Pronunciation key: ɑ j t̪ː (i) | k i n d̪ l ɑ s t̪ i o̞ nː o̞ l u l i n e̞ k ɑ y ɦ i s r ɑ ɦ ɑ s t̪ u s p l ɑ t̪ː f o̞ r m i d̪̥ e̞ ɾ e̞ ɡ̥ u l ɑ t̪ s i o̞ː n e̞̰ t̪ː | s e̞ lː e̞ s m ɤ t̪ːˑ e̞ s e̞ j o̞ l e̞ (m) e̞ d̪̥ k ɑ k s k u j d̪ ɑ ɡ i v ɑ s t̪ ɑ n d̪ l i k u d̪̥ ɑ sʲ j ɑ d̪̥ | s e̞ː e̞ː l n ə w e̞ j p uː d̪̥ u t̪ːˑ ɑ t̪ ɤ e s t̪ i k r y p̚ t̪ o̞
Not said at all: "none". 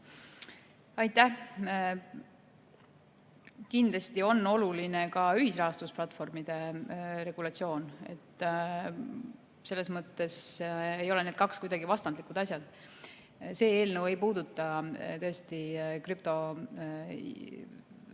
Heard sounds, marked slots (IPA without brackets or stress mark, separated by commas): æ, n